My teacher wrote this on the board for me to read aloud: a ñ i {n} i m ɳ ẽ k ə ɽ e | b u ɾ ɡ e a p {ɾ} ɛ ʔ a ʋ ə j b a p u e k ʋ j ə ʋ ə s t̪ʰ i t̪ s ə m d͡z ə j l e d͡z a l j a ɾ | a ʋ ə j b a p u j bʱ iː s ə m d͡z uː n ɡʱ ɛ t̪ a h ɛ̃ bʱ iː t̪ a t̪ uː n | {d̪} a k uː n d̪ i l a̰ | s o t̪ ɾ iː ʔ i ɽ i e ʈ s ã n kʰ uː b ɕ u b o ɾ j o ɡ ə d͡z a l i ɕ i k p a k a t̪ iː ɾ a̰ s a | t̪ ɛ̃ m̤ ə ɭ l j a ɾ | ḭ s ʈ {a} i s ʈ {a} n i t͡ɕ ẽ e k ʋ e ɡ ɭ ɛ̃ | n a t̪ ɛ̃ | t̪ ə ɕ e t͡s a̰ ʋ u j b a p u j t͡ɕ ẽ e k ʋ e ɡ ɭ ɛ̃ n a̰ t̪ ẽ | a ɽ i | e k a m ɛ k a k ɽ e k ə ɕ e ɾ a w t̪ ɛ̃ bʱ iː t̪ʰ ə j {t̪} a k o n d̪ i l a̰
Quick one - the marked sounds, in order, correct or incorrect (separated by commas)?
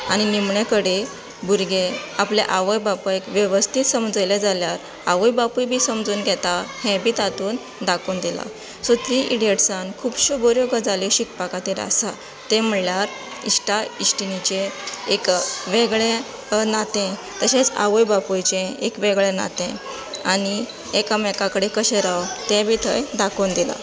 correct, incorrect, correct, correct, incorrect, incorrect